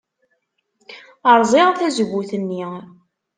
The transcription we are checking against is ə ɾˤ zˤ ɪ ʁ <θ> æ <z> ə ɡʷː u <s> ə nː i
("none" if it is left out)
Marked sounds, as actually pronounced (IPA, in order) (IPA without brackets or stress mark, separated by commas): θ, z, θ